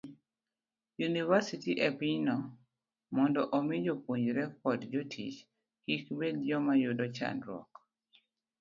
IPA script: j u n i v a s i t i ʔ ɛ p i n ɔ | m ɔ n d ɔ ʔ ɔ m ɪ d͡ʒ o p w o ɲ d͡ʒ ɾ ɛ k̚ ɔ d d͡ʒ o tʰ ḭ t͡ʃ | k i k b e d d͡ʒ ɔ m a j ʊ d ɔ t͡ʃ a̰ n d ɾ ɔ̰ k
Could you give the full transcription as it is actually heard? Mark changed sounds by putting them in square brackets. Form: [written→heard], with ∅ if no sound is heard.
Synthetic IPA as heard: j u n i v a s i t i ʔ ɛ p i n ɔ | m ɔ n d ɔ ʔ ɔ m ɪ d͡ʒ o p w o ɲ d͡ʒ ɾ ɛ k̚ ɔ d d͡ʒ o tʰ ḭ t͡ʃ | k i k b e d d͡ʒ ɔ m a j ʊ d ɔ t͡ʃ a̰ n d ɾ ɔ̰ k

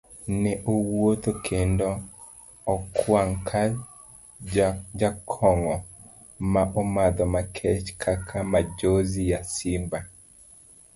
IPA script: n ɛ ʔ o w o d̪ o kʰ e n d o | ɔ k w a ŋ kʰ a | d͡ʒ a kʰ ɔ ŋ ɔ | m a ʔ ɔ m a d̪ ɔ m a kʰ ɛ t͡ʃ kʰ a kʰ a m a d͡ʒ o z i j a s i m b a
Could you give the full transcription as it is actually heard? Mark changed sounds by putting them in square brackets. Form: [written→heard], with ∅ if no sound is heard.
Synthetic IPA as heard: n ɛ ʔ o w o [d̪→t̪] o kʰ e n d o | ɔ k w a ŋ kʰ a | d͡ʒ a kʰ ɔ ŋ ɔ | m a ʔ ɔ m a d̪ ɔ m a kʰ ɛ t͡ʃ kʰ a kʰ a m a d͡ʒ o z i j a s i m b a

